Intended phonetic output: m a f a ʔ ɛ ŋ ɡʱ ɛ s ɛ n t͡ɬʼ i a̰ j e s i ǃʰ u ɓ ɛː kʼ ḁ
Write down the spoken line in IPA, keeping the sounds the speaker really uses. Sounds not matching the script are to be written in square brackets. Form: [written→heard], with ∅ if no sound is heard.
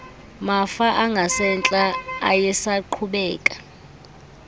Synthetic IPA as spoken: m a f a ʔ [ɛ→a] ŋ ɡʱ [ɛ→a] s ɛ n t͡ɬʼ [i→a] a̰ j [e→ɛ] s [i→a] ǃʰ u ɓ ɛː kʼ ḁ